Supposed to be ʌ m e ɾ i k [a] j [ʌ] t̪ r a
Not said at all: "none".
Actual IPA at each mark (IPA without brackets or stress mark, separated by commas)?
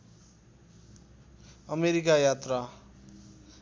a, a